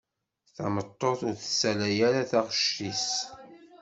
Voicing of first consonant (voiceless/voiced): voiceless